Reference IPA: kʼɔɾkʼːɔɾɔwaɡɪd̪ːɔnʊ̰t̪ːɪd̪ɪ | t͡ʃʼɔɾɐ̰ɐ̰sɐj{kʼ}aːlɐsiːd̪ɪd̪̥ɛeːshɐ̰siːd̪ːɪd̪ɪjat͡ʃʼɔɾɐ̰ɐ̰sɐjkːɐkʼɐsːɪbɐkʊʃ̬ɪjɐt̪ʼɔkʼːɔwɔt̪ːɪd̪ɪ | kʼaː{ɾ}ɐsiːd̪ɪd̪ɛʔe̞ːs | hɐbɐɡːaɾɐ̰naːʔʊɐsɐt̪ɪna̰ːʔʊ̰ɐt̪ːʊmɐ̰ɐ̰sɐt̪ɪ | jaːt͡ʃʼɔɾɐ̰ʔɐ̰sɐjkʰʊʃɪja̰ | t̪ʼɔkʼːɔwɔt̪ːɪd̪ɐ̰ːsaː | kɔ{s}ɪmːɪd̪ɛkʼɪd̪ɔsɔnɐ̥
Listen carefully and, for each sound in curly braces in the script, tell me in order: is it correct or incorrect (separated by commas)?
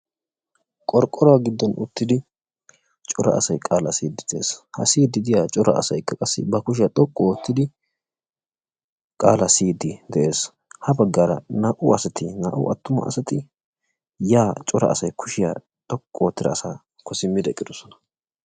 correct, incorrect, correct